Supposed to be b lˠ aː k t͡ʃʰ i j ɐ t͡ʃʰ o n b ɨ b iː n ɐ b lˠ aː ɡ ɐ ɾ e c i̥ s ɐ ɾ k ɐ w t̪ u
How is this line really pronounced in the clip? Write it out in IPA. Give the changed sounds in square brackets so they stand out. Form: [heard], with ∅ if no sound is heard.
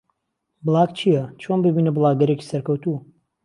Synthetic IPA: b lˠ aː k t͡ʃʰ i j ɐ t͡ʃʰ o n b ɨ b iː n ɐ b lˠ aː ɡ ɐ ɾ e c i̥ s ɐ ɾ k ɐ w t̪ u